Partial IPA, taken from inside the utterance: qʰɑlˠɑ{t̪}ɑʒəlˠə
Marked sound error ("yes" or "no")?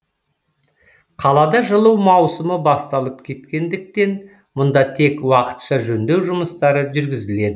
yes